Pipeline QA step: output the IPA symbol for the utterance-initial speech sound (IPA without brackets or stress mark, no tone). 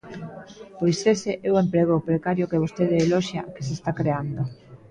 p